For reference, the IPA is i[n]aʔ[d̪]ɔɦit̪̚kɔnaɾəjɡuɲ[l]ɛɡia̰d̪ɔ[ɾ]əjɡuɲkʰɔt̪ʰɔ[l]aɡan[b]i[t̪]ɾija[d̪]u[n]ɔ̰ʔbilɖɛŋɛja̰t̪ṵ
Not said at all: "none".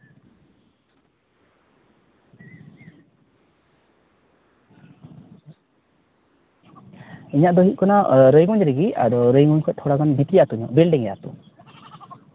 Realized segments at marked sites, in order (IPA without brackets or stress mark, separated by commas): ɲ, d̪, ɾ, ɾ, ɽ, b, t̪, t̪, ɲ